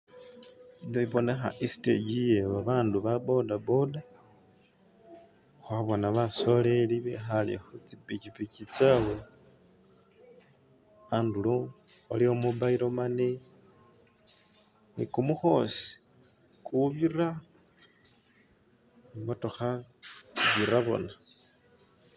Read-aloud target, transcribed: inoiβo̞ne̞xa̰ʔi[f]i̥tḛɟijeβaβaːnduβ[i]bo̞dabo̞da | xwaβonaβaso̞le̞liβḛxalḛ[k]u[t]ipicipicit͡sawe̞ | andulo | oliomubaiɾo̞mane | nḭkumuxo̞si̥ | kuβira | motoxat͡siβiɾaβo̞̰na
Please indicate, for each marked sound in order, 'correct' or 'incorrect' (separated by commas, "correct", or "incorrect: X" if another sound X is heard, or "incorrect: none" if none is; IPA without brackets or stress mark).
incorrect: s, incorrect: a, incorrect: x, incorrect: t͡s